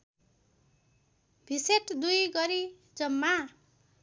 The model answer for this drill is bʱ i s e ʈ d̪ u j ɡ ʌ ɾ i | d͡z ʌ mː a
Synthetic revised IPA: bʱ i s e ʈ d̪ u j ɡ ʌ ɾ i | d͡z ʌ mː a

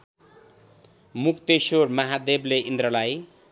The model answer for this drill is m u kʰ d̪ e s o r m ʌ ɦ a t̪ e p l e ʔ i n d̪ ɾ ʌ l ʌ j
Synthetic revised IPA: m u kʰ t̪ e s o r m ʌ ɦ a d̪ e b l e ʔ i n d̪ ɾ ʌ l a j

